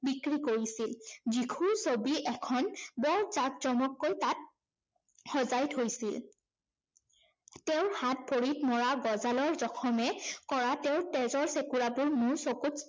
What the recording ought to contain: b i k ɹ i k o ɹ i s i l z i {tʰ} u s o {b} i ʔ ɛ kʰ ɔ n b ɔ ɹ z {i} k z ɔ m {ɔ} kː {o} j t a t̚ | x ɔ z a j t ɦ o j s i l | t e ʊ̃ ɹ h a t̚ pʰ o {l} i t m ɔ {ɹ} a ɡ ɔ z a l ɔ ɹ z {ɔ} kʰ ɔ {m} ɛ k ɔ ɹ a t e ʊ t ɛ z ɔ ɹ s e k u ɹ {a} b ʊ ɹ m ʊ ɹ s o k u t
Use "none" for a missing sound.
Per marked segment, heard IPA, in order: kʰ, b, a, ɔ, o, ɹ, ɹ, ɔ, m, a

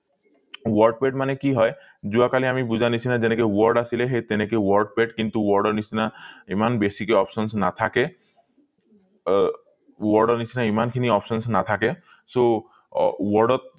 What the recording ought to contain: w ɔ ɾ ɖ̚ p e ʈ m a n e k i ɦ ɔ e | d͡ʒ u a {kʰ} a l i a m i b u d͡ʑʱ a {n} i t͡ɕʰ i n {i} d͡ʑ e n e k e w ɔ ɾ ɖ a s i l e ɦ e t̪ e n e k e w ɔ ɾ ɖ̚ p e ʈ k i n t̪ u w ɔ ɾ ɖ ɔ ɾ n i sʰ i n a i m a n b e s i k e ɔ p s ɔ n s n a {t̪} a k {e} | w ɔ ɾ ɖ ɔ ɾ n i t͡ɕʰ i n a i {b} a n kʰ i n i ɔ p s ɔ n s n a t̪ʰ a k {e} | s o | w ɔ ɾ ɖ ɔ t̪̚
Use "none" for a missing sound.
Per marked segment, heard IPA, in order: k, n, a, t̪ʰ, e, m, e

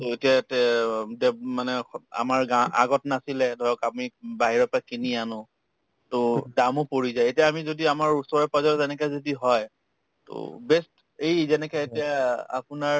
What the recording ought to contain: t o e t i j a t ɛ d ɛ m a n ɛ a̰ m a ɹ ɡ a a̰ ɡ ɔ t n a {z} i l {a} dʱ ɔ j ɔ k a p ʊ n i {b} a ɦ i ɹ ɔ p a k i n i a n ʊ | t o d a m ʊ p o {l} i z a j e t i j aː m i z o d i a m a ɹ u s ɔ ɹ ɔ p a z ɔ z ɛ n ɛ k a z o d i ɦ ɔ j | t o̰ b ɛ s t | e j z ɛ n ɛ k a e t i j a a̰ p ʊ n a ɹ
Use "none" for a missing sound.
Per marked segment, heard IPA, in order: s, ɛ, b, ɹ

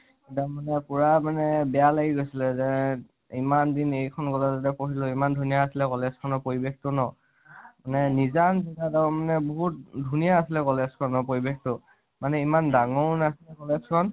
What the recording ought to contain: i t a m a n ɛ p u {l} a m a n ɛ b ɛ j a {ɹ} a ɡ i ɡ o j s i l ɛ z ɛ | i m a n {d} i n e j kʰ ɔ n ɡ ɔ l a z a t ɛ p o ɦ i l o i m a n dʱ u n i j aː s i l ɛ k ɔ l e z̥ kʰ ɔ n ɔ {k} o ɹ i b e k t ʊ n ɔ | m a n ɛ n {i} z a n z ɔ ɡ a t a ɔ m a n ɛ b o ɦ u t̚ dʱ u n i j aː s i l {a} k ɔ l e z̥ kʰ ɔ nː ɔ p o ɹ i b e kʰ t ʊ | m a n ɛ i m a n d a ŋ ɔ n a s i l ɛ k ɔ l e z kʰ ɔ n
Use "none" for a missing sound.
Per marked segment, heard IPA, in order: ɹ, l, d, p, i, ɛ

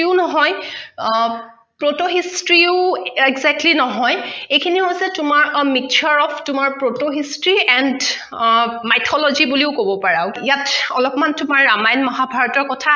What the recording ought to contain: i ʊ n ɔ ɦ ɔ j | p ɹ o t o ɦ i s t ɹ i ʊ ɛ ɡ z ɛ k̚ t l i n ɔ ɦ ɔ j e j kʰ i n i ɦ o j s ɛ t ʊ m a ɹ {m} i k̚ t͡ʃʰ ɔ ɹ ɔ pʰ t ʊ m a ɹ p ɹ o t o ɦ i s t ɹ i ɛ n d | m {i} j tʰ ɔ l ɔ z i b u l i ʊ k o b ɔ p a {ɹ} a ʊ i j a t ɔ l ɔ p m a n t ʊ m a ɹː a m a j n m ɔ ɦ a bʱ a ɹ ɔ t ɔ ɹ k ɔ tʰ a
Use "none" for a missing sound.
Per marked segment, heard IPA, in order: m, a, ɹ

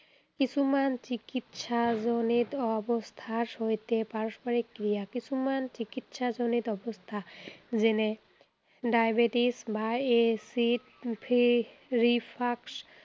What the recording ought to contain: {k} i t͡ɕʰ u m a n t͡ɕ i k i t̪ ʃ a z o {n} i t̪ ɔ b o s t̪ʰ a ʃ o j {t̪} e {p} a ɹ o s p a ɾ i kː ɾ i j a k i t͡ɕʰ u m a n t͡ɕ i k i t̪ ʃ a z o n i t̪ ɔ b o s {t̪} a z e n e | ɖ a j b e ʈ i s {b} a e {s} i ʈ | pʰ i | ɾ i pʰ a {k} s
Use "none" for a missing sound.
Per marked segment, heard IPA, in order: k, n, t̪, p, t̪ʰ, b, s, k

